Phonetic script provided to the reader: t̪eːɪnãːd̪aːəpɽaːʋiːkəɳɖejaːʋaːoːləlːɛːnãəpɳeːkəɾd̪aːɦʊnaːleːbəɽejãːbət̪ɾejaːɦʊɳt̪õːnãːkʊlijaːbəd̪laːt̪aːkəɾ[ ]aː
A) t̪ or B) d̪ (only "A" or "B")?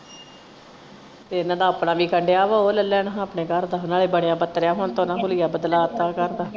B